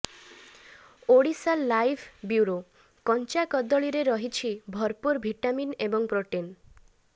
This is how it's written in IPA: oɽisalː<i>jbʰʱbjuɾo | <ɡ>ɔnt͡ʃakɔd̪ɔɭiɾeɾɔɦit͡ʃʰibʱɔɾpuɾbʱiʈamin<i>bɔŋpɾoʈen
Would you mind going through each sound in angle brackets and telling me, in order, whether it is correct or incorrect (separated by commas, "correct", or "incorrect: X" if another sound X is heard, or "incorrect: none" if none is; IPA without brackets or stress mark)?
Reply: incorrect: a, incorrect: k, incorrect: e